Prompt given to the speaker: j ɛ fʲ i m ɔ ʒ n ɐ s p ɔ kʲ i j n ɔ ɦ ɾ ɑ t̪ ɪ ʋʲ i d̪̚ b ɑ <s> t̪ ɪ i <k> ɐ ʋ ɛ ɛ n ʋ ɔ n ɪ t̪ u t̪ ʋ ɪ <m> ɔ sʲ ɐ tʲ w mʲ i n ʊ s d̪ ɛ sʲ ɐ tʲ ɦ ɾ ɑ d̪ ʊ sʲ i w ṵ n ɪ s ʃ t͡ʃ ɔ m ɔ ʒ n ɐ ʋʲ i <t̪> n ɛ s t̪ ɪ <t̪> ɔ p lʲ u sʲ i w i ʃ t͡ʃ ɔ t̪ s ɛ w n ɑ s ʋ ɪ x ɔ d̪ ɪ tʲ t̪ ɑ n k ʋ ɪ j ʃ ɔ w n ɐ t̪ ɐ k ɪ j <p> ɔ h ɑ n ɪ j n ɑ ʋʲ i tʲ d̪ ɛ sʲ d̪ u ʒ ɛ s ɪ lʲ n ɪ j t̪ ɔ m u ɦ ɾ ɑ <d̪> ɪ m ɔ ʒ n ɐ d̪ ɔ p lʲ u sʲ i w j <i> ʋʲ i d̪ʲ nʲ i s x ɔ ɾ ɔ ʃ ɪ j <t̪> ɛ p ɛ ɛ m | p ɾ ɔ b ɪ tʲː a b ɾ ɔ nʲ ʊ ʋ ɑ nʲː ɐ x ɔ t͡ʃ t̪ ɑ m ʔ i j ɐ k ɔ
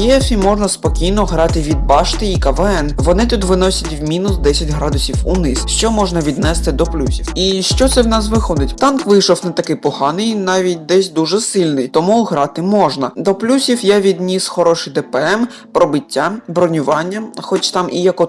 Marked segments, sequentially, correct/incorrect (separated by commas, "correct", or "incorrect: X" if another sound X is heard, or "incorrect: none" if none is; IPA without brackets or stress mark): incorrect: ʃ, correct, incorrect: n, incorrect: d̪, incorrect: d̪, correct, incorrect: t̪, incorrect: ɛ, incorrect: d̪